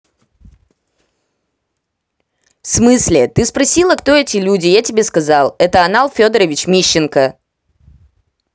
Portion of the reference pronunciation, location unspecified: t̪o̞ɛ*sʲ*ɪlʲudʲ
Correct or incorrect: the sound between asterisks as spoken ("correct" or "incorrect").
incorrect